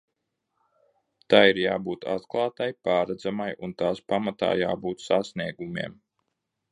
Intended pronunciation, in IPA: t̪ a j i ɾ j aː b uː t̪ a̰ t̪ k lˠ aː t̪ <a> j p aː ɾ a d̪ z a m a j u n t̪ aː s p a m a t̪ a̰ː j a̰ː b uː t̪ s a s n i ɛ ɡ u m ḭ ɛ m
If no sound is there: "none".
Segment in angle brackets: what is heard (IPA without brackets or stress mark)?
a